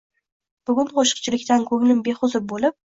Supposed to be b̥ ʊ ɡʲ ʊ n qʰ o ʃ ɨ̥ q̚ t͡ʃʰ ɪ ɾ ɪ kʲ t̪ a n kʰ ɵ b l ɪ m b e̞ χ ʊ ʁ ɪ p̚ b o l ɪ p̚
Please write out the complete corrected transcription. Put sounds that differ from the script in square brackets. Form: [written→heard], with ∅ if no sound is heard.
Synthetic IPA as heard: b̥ ʊ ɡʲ ʊ n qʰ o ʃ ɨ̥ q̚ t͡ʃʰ ɪ [ɾ→l] ɪ kʲ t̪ a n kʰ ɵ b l ɪ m b e̞ χ ʊ [ʁ→z] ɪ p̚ b o l ɪ p̚